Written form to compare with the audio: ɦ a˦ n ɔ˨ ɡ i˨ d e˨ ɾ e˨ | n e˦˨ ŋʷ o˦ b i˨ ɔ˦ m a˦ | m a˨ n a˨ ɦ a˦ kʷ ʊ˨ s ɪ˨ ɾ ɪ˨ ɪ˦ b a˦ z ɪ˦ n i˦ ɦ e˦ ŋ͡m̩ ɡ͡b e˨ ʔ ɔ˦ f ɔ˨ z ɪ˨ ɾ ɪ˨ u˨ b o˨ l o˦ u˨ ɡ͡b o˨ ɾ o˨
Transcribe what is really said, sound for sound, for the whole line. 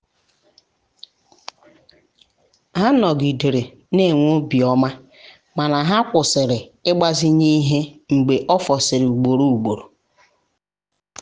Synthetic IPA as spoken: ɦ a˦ n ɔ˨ ɡ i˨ d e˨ ɾ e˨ | n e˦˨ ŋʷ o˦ b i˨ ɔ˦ m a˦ | m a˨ n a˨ ɦ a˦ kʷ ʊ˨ s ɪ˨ ɾ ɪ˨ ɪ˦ ɡ͡b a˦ z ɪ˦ ɲ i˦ ɦ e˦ ŋ͡m̩ ɡ͡b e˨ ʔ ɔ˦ f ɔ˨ s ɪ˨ ɾ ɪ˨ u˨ ɡ͡b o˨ ɾ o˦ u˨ ɡ͡b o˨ ɾ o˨